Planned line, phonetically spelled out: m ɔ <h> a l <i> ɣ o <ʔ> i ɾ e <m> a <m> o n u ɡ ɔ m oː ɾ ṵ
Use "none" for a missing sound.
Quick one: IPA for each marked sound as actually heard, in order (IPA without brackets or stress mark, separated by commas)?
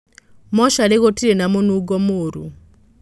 ʃ, e, t, n, m